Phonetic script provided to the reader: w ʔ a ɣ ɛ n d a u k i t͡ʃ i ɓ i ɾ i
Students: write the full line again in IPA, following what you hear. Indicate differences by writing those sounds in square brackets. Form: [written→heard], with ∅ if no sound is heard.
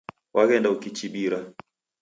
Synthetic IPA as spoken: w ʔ a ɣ ɛ n d a u k i t͡ʃ i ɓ i ɾ [i→a]